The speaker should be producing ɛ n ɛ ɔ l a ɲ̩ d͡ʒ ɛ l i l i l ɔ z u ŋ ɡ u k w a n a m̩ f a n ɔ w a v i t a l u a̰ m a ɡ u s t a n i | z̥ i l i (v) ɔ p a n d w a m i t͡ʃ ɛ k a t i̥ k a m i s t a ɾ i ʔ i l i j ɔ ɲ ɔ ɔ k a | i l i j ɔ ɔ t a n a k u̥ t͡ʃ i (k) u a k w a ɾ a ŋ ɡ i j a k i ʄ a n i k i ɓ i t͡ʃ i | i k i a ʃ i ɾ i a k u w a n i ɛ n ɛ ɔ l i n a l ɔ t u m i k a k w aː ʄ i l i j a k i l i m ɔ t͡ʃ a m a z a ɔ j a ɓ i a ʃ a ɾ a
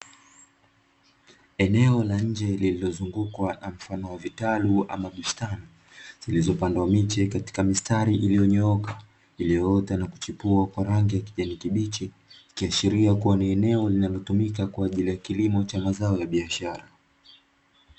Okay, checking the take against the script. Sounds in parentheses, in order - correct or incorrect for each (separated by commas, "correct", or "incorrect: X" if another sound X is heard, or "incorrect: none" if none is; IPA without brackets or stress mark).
incorrect: z, incorrect: p